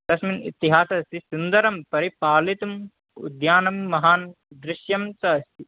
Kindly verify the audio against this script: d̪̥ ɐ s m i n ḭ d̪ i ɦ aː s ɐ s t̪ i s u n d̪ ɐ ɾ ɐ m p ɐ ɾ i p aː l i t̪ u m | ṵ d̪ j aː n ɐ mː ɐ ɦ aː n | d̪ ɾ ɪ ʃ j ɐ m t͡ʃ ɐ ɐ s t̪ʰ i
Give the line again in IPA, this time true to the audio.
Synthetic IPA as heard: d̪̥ ɐ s m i n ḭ t̪ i ɦ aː s ɐ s t̪ i s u n d̪ ɐ ɾ ɐ m p ɐ ɾ i p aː l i t̪ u m | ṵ d̪ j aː n ɐ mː ɐ ɦ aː n | d̪ ɾ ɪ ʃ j ɐ m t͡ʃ ɐ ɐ s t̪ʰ i